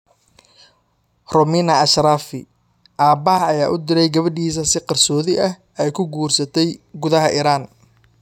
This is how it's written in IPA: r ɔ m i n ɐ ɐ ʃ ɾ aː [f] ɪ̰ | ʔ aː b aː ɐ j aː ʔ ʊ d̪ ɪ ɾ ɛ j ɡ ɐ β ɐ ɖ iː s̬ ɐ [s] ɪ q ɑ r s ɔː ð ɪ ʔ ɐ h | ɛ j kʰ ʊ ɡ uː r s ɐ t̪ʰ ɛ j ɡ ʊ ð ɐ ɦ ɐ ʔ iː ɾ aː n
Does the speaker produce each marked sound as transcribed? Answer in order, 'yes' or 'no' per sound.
yes, yes

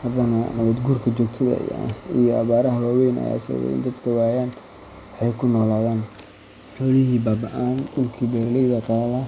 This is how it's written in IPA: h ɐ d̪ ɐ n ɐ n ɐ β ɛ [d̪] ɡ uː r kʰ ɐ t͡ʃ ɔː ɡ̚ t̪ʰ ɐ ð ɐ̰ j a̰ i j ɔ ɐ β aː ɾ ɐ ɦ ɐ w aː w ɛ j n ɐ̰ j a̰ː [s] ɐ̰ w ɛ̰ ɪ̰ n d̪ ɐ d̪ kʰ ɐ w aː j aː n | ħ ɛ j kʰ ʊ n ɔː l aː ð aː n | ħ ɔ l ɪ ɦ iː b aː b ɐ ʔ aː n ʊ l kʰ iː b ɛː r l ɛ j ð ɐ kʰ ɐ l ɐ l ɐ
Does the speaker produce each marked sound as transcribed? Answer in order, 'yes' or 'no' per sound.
yes, yes

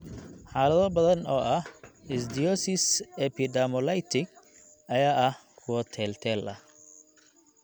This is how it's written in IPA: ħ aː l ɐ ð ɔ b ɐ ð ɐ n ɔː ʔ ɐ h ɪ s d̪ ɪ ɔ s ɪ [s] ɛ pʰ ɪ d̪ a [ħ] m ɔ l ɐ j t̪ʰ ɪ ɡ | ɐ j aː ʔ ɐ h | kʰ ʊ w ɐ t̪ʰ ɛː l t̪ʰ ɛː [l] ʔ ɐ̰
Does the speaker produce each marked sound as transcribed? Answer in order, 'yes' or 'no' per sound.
yes, no, yes

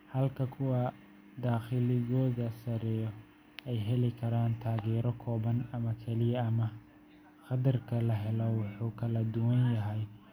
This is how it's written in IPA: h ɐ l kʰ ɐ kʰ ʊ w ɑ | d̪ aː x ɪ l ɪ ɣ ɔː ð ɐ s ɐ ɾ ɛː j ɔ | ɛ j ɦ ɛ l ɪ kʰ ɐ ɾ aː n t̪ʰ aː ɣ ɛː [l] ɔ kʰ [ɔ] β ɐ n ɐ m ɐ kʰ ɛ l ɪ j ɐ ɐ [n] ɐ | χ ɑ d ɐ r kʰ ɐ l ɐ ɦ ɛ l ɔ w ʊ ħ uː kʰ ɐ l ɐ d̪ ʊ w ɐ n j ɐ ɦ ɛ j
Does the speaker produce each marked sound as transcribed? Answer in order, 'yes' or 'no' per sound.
no, no, no

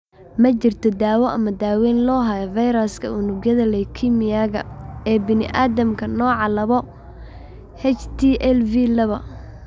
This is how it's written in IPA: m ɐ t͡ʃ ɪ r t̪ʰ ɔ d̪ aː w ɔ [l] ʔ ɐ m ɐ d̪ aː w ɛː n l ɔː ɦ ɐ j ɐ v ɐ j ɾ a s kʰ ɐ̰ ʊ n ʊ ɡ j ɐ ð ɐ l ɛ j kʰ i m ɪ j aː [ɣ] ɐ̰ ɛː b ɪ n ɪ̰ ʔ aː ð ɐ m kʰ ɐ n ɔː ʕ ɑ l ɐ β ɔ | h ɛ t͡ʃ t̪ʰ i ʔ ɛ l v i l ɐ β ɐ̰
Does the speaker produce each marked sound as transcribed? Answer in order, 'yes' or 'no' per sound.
no, yes

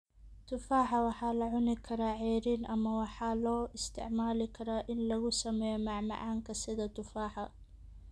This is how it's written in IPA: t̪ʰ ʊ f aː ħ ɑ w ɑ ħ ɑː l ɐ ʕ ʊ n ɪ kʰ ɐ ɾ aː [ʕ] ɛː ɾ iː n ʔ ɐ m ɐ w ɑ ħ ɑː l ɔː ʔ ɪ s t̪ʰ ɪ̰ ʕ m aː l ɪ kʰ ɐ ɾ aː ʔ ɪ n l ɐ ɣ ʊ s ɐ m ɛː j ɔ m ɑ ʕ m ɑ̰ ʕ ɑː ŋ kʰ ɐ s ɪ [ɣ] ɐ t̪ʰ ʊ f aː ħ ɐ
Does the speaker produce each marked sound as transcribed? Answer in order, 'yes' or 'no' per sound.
yes, no

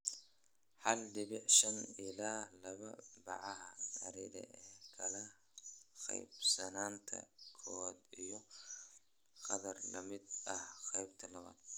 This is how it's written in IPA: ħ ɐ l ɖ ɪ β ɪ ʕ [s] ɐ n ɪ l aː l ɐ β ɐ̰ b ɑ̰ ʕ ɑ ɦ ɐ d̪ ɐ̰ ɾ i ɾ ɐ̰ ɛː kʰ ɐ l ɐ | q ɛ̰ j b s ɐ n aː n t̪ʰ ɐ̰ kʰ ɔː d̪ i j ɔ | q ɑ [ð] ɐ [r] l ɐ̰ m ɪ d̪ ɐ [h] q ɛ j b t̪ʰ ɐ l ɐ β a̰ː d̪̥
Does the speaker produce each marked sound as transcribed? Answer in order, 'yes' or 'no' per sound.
no, yes, yes, yes

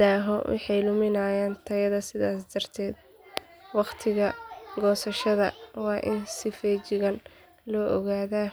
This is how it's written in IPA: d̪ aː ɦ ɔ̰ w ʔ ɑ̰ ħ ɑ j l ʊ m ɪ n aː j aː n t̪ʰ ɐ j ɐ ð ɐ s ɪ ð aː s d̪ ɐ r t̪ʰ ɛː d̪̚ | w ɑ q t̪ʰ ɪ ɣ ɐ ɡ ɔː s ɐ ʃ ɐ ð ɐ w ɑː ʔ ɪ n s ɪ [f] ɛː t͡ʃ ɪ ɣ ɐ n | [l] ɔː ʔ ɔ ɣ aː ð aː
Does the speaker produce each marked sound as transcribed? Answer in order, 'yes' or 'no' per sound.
yes, yes

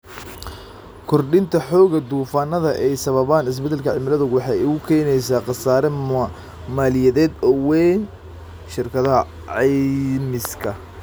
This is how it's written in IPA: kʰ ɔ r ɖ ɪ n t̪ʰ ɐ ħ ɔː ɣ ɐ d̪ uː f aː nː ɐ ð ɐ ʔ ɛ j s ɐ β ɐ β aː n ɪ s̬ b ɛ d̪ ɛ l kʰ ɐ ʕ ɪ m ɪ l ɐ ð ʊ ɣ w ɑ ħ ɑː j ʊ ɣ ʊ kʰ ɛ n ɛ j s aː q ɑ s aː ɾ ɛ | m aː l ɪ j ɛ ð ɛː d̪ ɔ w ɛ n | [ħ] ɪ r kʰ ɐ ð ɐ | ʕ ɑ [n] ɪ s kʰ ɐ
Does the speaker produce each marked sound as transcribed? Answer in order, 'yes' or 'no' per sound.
no, no

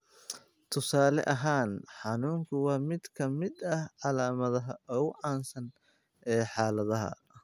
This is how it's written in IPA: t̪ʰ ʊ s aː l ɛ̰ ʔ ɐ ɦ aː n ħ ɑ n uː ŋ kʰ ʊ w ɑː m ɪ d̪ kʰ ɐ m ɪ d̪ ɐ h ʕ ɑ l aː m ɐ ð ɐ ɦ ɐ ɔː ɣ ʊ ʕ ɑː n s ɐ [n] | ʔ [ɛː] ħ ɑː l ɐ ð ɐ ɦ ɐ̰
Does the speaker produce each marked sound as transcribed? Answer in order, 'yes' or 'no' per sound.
yes, yes

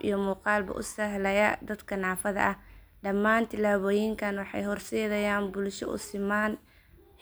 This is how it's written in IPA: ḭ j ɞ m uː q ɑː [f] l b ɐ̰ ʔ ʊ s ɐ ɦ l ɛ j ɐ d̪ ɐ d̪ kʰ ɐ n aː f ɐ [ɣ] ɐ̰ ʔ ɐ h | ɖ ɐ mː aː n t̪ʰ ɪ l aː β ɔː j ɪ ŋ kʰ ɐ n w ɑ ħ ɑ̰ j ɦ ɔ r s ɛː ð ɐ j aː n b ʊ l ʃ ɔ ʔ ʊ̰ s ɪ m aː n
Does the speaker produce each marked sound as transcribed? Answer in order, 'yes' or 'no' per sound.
no, no

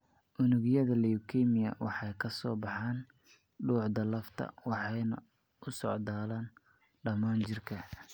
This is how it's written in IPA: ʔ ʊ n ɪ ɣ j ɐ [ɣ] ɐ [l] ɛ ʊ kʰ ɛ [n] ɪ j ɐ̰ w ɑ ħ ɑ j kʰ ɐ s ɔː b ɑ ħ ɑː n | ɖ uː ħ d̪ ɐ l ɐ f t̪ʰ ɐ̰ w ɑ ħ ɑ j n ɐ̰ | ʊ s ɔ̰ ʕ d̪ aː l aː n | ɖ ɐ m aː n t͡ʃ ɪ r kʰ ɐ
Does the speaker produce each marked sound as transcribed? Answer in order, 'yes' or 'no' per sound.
no, yes, no

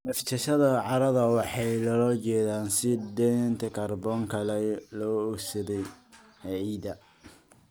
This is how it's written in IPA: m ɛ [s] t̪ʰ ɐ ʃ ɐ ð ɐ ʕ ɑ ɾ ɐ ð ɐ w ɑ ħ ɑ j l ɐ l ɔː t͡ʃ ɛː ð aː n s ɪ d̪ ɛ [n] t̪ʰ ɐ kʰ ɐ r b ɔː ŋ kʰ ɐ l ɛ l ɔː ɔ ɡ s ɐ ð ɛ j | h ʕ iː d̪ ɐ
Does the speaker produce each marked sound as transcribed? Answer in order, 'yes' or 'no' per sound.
no, yes

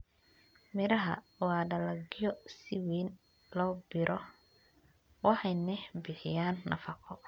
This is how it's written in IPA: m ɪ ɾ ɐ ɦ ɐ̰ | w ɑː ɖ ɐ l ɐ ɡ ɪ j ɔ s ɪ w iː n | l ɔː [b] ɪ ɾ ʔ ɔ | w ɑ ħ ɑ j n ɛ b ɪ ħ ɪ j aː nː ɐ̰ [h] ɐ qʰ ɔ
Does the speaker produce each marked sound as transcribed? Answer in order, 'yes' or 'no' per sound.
yes, no

